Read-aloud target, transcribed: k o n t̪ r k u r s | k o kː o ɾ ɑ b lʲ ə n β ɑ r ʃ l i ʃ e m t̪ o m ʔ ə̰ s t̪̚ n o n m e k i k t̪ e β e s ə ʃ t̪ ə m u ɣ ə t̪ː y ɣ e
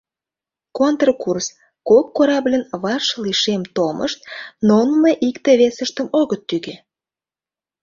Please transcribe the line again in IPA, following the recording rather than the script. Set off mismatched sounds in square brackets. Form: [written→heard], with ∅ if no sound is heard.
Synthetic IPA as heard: k o n t̪ r k u r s | k o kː o ɾ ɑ b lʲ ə n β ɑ r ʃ l i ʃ e m t̪ o m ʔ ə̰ [s→ʃ] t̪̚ n o n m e [k→ʔ] i k t̪ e β e s ə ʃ t̪ ə m [u→o] ɣ ə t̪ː y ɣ e